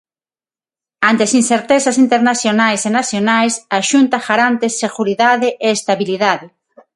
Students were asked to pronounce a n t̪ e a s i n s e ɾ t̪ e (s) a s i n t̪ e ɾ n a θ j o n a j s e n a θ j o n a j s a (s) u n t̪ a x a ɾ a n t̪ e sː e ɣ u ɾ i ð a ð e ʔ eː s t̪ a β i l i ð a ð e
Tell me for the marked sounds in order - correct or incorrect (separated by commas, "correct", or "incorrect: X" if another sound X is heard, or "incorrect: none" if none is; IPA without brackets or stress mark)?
correct, incorrect: ʃ